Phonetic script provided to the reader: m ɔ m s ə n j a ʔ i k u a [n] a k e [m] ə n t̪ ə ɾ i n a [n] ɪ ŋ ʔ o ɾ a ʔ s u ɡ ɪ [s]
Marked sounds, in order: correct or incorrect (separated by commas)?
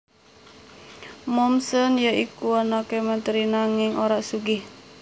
correct, correct, incorrect, incorrect